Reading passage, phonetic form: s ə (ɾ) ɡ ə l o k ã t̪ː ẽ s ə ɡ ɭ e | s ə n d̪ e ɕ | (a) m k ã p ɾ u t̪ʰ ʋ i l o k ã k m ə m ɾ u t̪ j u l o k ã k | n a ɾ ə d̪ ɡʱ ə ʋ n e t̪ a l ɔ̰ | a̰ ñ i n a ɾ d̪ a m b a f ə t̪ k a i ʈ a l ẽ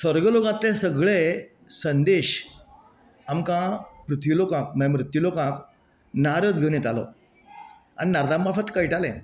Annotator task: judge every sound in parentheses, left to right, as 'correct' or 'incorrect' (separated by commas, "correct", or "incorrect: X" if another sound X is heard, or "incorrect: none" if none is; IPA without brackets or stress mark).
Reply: correct, correct